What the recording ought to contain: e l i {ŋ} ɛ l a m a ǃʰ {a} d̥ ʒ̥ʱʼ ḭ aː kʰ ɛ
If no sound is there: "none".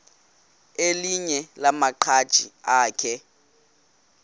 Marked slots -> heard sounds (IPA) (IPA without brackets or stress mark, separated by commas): ɲ, a